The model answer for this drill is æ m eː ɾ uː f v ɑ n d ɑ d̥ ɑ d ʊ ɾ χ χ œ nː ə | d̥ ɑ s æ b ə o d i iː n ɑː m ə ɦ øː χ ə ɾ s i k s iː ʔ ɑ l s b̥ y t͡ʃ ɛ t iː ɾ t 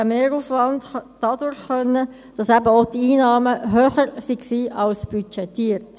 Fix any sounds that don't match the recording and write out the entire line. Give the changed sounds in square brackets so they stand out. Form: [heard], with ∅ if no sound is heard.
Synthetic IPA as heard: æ m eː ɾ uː f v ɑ n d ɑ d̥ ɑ d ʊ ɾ χ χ œ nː ə | d̥ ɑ s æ b ə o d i iː n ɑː m ə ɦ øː χ ə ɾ s i k s iː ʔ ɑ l s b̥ y t͡ʃ ɛ t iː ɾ t